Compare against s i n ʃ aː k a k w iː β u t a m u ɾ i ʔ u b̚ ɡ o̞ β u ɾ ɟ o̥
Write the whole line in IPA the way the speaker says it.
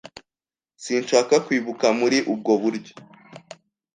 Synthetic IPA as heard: s i n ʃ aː k a k w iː β u k a m u ɾ i ʔ u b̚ ɡ o̞ β u ɾ ɟ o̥